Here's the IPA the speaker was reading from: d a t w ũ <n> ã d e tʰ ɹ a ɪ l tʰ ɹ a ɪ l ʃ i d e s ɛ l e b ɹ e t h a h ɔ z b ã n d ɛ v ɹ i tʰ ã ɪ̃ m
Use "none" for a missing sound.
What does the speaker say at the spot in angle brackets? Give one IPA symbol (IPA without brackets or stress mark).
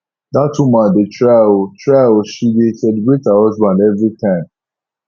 m